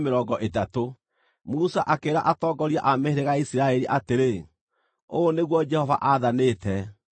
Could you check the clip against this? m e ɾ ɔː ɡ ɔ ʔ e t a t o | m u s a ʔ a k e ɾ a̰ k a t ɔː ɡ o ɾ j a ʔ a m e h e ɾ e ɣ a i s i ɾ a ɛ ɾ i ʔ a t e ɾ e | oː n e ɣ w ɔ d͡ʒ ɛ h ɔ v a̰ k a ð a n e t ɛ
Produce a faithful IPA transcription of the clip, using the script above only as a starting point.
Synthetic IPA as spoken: m e ɾ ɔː ɡ ɔ ʔ e t a t o | m u s a ʔ a k e ɾ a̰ ʔ a t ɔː ɡ ɔ ɾ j a ʔ a m e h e ɾ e ɣ a i s i ɾ a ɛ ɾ i ʔ a t e ɾ e | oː n e ɣ w ɔ d͡ʒ ɛ h ɔ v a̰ ʔ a ð a n e t ɛ

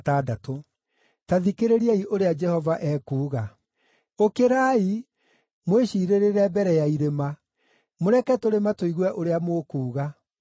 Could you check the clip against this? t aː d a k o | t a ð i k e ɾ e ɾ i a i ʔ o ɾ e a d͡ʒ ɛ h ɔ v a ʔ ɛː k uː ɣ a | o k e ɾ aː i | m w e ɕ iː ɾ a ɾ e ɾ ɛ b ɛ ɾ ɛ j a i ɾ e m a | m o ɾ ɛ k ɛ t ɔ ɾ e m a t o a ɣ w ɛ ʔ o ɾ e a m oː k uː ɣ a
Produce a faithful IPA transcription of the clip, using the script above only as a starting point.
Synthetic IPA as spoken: t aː d a t o | t a ð i k e ɾ e ɾ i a i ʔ o ɾ e a d͡ʒ ɛ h ɔ v a ʔ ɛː k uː ɣ a | o k e ɾ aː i | m w e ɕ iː ɾ e ɾ e ɾ ɛ b ɛ ɾ ɛ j a i ɾ e m a | m o ɾ ɛ k ɛ t o ɾ e m a t o i ɣ w ɛ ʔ o ɾ e a m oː k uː ɣ a

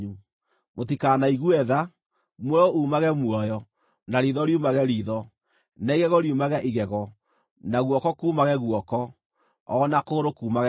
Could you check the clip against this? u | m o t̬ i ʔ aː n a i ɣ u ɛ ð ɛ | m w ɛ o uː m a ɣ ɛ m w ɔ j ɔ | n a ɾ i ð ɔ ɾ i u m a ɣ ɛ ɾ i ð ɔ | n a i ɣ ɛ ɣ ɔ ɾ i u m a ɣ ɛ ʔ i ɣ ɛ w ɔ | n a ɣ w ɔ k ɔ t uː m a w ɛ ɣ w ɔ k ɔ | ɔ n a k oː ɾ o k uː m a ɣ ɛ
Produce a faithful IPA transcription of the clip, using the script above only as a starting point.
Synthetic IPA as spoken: u | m o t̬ i k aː n a i ɣ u ɛ ð a | m w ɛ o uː m a ɣ ɛ m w ɔ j ɔ | n a ɾ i ð ɔ ɾ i u m a ɣ ɛ ɾ i ð ɔ | n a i ɣ ɛ ɣ ɔ ɾ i u m a ɣ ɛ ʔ i ɣ ɛ ɣ ɔ | n a ɣ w ɔ k ɔ k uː m a ɣ ɛ ɣ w ɔ k ɔ | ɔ n a k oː ɾ o k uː m a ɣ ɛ

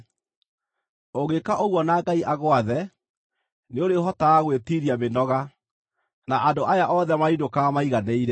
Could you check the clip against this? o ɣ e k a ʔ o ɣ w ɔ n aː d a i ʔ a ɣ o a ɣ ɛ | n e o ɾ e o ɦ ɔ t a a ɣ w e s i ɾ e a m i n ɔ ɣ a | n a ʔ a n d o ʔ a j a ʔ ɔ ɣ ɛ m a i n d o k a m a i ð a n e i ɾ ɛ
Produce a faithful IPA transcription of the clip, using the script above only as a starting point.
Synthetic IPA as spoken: o ɣ e k a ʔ o ɣ w ɔ n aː ɡ a i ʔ a ɣ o a ð ɛ | n e o ɾ e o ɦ ɔ t a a ɣ w e t i ɾ i a m e n ɔ ɣ a | n a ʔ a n d o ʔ a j a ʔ ɔ ð ɛ m a i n d o k a m a i ɣ a n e i ɾ ɛ

